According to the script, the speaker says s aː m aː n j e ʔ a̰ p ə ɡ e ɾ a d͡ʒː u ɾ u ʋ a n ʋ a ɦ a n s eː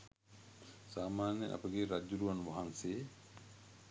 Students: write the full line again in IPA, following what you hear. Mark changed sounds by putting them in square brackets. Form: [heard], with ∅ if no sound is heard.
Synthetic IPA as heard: s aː m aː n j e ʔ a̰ p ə ɡ e ɾ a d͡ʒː u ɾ u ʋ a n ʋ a ɦ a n s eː